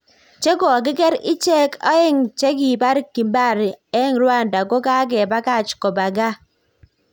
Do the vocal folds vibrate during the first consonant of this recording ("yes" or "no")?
no